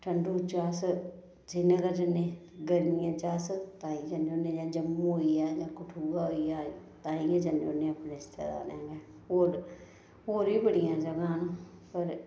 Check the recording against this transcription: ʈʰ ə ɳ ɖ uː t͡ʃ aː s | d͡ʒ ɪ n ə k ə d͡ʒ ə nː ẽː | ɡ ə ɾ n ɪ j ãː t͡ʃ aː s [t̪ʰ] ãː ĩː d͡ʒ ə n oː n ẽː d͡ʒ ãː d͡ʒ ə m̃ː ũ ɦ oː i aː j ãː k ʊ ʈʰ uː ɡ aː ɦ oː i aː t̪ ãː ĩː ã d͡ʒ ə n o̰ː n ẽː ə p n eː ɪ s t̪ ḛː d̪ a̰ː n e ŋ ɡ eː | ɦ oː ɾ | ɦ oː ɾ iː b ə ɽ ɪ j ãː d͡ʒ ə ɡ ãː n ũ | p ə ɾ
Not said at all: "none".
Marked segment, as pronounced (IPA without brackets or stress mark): t̪